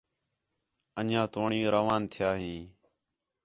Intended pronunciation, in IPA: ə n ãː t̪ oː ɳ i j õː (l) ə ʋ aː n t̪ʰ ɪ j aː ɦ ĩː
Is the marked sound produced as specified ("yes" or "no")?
no